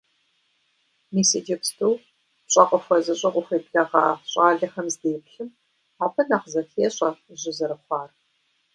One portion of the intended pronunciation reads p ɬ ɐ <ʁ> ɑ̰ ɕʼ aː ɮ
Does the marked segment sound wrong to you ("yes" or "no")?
no